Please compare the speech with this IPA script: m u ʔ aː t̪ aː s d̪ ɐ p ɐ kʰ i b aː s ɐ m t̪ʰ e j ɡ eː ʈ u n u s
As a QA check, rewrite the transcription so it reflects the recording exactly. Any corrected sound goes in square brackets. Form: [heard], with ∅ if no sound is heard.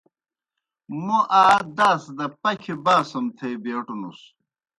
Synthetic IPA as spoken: m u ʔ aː [d̪] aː s d̪ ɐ p ɐ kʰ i b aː s ɐ m t̪ʰ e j [b] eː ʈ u n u s